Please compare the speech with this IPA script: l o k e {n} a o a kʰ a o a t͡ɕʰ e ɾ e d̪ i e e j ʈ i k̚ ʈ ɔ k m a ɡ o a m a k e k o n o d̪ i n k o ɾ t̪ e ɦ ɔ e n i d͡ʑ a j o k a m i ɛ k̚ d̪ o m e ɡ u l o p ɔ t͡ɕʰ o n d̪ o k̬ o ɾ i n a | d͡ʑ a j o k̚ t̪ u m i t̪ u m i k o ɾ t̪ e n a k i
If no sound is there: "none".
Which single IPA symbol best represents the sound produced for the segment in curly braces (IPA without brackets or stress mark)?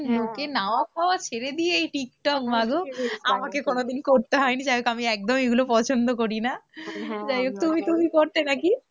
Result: n